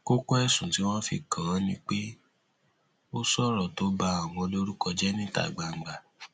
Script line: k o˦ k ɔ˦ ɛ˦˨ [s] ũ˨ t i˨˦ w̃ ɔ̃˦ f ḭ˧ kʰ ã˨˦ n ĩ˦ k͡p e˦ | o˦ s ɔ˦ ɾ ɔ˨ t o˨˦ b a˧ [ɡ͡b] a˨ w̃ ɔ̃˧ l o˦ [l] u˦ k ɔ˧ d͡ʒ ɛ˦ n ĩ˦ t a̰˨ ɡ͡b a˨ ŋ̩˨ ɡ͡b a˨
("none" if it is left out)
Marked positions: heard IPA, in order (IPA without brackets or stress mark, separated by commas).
s, none, ɾ